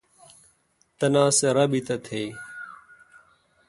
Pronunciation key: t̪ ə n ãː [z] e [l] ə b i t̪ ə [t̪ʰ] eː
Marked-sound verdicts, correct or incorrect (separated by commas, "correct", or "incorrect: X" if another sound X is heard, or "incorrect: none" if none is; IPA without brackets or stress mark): incorrect: s, incorrect: ɾ, correct